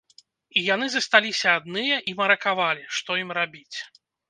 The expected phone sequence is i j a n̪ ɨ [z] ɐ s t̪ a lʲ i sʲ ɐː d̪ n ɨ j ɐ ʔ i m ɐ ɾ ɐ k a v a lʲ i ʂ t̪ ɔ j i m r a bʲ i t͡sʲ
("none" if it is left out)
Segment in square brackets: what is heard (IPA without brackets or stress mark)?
z